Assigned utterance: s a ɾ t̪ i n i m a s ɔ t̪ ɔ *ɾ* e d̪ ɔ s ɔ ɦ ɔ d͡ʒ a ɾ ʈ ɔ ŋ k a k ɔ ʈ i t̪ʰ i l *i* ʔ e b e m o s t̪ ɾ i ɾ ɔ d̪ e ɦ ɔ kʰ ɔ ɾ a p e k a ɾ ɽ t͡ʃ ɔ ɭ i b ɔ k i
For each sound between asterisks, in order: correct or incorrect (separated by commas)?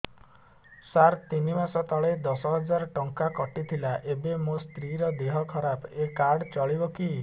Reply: incorrect, incorrect